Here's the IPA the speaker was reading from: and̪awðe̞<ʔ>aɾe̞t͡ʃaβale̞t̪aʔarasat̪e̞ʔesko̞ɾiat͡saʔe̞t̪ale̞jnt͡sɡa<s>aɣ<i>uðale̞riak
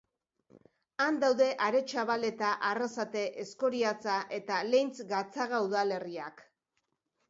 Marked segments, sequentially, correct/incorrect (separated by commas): correct, incorrect, incorrect